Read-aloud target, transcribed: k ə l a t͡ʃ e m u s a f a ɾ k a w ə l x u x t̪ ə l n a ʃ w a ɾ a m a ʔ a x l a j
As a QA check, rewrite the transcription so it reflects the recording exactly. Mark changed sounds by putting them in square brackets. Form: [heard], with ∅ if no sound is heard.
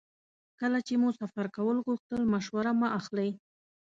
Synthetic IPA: k ə l a t͡ʃ e m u s a f a ɾ k a w ə l [ɣ] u x t̪ ə l [m] a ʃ w a ɾ a m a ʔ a x l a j